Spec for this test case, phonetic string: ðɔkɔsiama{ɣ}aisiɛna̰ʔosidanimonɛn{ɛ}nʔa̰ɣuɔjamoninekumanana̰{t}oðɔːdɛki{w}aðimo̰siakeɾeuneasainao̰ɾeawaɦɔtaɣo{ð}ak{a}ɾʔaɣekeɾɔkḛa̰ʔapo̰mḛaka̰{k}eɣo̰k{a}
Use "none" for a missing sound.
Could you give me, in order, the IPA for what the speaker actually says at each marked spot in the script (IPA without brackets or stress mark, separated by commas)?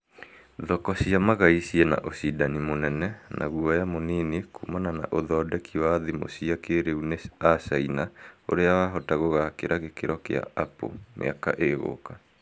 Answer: ɣ, ɛ, ʔ, w, ɣ, e, ʔ, a